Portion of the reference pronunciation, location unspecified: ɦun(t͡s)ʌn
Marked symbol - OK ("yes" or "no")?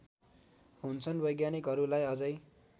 no